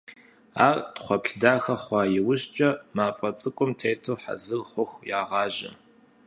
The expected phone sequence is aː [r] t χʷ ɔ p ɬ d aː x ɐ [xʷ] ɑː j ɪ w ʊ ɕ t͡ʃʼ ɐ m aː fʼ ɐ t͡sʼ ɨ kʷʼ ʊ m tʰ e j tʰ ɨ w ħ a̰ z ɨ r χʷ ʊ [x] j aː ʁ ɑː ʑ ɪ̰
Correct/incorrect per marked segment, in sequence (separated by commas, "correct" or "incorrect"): correct, incorrect, correct